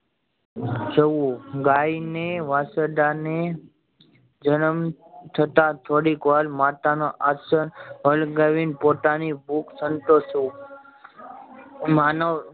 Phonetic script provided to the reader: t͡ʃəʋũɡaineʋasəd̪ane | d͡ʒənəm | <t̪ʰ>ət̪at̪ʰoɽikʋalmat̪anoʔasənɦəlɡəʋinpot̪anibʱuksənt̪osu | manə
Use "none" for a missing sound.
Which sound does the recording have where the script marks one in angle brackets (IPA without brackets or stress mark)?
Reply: t̪ʰ